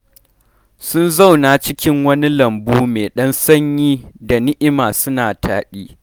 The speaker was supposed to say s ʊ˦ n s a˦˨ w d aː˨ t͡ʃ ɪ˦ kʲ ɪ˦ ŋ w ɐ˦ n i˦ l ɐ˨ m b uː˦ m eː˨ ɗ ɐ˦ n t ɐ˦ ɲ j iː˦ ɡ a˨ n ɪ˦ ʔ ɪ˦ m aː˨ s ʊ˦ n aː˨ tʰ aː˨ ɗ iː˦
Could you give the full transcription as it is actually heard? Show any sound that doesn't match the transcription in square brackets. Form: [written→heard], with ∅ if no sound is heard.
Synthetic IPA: s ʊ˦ n [s→z] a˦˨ w [d→n] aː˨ t͡ʃ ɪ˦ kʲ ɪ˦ ŋ w ɐ˦ n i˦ l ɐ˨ m b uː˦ m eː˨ ɗ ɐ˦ n [t→s] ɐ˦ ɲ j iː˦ [ɡ→d] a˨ n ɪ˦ ʔ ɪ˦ m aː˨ s ʊ˦ n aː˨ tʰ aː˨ ɗ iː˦